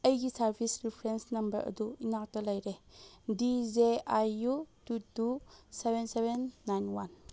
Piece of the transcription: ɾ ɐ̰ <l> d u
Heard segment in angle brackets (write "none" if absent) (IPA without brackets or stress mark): none